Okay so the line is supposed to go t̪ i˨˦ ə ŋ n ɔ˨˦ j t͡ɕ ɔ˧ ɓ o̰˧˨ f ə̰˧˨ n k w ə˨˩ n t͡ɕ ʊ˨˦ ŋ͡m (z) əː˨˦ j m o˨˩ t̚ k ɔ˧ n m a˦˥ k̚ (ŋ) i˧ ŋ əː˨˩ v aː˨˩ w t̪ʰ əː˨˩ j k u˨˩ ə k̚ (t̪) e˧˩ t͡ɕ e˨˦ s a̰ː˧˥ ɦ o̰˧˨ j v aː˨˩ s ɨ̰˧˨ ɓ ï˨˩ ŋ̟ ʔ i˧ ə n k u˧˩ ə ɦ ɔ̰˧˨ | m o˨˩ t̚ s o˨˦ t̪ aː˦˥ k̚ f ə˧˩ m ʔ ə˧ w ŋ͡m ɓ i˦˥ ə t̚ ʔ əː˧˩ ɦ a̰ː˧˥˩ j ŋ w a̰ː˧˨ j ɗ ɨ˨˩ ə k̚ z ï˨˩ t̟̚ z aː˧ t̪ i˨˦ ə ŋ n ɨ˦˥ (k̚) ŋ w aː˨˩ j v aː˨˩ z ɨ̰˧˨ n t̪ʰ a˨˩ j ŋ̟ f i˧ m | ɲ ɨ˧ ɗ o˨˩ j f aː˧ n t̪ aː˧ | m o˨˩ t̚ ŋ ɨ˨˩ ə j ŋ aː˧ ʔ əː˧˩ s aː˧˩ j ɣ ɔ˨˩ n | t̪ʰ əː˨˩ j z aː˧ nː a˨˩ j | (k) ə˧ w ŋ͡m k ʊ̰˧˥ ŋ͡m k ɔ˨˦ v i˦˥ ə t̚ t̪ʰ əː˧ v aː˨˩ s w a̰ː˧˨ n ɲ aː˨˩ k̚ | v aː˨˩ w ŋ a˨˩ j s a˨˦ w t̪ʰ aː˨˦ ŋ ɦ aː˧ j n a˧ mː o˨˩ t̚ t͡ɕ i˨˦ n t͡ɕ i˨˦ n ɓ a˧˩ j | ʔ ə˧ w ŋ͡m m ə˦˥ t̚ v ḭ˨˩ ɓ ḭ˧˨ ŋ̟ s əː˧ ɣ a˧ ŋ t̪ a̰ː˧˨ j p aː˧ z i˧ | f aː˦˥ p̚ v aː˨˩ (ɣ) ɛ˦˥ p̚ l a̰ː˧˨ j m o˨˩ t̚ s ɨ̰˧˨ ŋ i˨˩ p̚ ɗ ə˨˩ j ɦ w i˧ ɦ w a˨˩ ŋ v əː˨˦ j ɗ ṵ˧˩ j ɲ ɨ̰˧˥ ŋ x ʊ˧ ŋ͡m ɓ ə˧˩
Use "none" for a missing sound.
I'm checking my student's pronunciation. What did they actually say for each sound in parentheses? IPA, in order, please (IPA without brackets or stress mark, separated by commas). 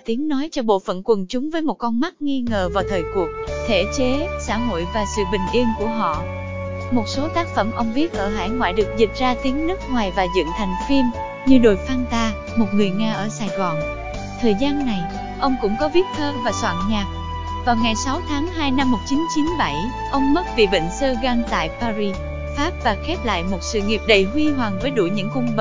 v, ŋ, t̪ʰ, k̚, ʔ, x